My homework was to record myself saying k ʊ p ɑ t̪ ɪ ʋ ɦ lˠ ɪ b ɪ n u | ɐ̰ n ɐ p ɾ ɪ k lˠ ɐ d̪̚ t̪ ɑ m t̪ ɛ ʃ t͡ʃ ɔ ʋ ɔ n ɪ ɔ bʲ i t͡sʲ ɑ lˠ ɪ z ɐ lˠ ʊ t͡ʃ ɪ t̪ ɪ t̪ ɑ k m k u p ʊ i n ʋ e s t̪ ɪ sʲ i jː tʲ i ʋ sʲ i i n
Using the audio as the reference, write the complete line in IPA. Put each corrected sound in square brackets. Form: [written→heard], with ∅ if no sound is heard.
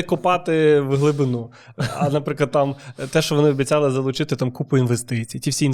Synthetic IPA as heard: k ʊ p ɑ t̪ ɪ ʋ ɦ lˠ ɪ b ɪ n u | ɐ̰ n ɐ p ɾ ɪ k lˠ ɐ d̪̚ t̪ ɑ m t̪ ɛ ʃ t͡ʃ ɔ ʋ ɔ n ɪ ɔ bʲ i t͡sʲ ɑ lˠ ɪ z ɐ lˠ ʊ t͡ʃ ɪ t̪ ɪ t̪ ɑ [k→∅] m k u p ʊ i n ʋ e s t̪ ɪ [sʲ→t͡sʲ] i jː tʲ i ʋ sʲ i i n